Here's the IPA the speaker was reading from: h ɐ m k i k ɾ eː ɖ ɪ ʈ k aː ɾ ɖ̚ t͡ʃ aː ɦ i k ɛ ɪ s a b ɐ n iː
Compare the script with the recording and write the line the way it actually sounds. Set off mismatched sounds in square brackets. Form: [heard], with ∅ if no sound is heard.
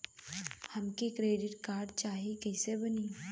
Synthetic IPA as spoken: h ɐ m k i k ɾ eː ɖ ɪ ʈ k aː ɾ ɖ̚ t͡ʃ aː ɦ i k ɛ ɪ s [e] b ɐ n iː